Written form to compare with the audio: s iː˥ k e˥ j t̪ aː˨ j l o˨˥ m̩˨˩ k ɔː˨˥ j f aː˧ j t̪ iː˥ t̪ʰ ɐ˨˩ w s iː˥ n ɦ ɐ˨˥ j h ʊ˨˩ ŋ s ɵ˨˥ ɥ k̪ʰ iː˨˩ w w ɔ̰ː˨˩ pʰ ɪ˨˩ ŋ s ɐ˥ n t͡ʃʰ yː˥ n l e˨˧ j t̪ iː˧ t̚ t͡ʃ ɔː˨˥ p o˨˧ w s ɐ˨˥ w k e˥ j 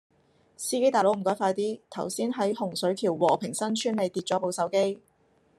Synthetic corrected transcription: s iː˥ k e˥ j t̪ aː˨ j l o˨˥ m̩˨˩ k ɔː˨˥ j f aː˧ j t̪ iː˥ t̪ʰ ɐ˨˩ w s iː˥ n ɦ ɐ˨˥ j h ʊ˨˩ ŋ s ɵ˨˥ ɥ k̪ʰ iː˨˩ w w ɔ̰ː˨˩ pʰ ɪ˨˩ ŋ s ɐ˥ n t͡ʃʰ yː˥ n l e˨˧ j t̪ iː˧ t̚ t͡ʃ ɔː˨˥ p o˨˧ w s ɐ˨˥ w k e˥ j